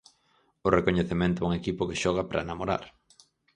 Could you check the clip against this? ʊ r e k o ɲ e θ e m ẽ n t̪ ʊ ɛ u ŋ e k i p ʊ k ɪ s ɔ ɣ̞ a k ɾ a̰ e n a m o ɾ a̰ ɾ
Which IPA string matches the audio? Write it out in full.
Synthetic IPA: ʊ r e k o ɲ e θ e m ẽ n t̪ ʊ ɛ u ŋ e k i p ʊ k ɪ ʃ ɔ ɣ̞ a p ɾ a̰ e n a m o ɾ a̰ ɾ